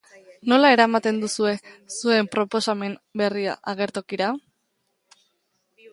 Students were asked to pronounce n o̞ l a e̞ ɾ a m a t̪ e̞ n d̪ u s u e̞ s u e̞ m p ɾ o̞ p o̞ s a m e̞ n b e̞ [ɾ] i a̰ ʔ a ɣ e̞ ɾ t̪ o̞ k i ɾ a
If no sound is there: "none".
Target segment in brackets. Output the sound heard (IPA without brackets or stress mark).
r